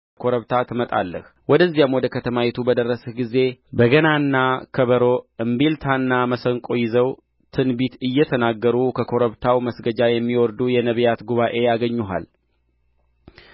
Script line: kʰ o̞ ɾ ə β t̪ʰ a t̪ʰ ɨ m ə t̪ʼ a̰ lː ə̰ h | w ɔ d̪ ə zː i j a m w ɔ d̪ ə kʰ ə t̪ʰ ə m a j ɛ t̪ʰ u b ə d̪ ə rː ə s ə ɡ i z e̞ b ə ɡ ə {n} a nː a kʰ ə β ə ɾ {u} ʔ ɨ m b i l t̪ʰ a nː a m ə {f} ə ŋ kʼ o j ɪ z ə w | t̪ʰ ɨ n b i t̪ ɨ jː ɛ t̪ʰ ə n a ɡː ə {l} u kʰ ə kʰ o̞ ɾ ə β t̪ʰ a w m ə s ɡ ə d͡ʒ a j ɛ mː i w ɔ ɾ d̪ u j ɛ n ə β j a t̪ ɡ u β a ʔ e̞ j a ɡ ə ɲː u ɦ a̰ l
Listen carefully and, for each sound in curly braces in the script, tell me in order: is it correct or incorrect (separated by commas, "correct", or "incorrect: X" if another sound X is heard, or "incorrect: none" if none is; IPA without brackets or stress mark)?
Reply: correct, incorrect: o, incorrect: s, incorrect: ɾ